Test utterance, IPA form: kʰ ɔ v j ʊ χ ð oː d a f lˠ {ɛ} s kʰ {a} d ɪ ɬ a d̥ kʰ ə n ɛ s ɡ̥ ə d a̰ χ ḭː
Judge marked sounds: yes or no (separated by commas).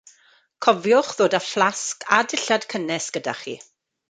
no, yes